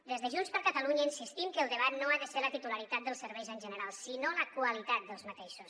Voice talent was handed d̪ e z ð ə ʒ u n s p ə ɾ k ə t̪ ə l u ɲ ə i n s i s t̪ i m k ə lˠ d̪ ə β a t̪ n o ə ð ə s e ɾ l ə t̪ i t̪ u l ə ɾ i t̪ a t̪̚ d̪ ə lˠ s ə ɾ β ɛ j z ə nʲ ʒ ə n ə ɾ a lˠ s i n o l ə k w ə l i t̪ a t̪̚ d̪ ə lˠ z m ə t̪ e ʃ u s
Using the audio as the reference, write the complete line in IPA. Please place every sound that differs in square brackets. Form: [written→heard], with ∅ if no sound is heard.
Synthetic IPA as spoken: d̪ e z ð ə ʒ u n s p ə ɾ k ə t̪ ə l u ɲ ə i n s i s t̪ i m k ə lˠ d̪ ə β a t̪ n o [ə→a] ð ə s e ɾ l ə t̪ i t̪ u l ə ɾ i t̪ a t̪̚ d̪ ə lˠ s ə ɾ β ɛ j z ə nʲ ʒ ə n ə ɾ a lˠ s i n o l ə k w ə l i t̪ a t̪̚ d̪ ə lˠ z m ə t̪ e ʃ u s